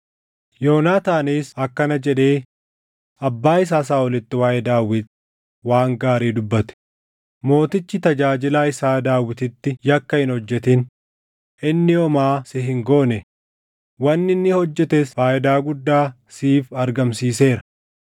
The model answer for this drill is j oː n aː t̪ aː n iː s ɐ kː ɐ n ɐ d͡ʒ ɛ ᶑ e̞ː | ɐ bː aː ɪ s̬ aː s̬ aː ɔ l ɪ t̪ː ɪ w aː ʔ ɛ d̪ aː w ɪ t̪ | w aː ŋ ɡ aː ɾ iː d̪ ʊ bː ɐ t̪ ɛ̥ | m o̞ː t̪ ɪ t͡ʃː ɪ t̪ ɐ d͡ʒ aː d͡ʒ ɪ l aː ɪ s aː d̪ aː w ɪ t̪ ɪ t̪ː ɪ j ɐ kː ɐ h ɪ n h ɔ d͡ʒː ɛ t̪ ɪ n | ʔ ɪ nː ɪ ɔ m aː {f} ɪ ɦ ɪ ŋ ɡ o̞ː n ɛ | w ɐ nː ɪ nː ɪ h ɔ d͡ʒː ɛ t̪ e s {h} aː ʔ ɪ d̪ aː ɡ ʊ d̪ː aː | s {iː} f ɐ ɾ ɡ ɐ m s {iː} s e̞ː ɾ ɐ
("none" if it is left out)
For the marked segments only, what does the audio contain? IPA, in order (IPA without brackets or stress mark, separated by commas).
s, f, iː, iː